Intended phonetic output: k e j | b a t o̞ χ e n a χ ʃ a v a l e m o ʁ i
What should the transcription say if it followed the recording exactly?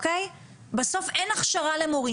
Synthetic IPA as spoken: k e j | b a s o̞ f e n a χ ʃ a ʁ a l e m o ʁ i